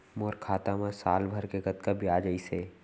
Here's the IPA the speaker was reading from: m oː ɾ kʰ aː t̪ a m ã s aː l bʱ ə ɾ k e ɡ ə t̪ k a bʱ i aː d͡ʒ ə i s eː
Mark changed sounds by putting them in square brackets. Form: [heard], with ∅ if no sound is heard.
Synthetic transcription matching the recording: m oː ɾ kʰ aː t̪ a m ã s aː l bʱ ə ɾ k e ɡ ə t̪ k a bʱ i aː d͡ʒ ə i s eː